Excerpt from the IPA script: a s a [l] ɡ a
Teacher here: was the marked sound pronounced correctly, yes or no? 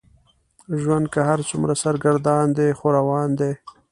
no